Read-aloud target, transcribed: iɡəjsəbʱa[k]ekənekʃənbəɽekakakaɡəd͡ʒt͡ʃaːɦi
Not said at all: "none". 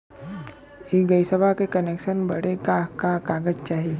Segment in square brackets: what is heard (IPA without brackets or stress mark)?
k